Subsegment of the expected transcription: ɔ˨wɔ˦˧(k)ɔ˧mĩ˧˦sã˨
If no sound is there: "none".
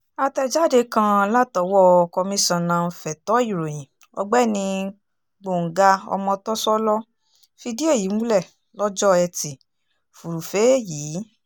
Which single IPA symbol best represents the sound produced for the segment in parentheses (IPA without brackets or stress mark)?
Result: k